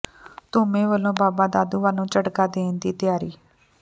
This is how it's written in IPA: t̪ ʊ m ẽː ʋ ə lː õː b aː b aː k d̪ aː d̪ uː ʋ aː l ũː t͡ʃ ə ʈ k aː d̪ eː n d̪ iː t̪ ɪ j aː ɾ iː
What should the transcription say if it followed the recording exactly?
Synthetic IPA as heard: t̪ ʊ m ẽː ʋ ə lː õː b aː b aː d̪ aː d̪ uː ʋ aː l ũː t͡ʃ ə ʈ k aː d̪ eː n d̪ iː t̪ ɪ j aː ɾ iː